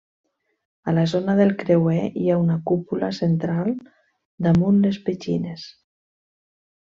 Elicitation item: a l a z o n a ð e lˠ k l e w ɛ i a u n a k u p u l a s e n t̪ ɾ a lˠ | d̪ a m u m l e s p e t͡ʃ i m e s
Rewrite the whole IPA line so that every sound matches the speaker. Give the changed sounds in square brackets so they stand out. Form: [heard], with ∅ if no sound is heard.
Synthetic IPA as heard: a l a z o n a ð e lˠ k [ɾ] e w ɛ i a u n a k u p u l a s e n t̪ ɾ a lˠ | d̪ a m u [n] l e s p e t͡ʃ i [n] e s